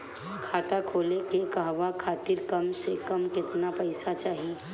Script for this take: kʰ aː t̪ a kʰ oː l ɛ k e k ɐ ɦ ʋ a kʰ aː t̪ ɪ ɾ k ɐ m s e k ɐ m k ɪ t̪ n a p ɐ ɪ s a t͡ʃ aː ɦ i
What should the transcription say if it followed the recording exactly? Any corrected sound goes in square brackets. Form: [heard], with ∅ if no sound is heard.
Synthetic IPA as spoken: kʰ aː t̪ a kʰ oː l [e] k e k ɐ ɦ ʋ a kʰ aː t̪ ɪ ɾ k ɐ m s e k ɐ m k ɪ t̪ n a p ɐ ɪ s a t͡ʃ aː ɦ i